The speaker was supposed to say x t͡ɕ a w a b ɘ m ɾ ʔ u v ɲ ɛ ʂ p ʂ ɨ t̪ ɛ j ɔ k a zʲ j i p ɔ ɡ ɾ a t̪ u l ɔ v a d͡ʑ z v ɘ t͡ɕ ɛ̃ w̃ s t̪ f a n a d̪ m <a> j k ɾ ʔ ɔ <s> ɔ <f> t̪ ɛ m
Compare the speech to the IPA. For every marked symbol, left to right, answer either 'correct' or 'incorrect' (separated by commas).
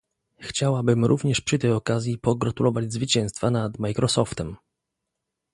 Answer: correct, correct, correct